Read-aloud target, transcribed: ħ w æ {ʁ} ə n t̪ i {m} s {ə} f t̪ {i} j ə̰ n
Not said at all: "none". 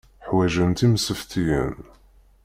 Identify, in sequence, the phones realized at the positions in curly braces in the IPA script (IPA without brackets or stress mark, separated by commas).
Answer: ʒ, m, ə, i